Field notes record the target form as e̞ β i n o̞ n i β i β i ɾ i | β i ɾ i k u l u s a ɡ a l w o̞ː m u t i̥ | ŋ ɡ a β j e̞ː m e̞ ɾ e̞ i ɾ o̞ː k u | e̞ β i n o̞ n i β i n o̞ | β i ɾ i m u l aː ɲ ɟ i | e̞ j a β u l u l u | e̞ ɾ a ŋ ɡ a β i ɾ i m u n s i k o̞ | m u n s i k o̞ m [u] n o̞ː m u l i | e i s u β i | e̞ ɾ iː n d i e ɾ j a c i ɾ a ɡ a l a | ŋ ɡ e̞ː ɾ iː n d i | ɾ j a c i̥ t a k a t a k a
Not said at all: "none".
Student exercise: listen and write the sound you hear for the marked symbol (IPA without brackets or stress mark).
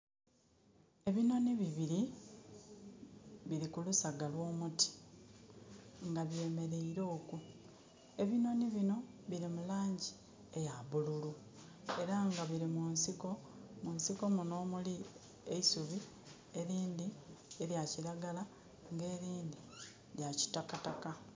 u